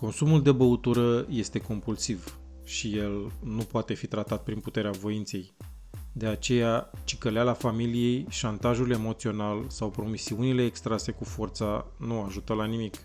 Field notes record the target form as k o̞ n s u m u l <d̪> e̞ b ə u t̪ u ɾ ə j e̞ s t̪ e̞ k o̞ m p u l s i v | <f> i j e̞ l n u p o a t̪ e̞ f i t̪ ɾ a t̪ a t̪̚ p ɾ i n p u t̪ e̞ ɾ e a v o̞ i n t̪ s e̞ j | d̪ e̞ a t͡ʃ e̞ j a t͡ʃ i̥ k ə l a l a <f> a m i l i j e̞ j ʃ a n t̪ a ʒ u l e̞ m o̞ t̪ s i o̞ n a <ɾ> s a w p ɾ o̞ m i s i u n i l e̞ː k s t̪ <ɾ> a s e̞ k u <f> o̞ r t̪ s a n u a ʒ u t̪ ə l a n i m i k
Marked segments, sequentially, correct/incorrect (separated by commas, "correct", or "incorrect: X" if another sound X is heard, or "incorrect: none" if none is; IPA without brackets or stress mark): correct, incorrect: ʃ, correct, incorrect: l, correct, correct